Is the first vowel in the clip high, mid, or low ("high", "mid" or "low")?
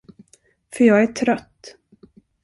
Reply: mid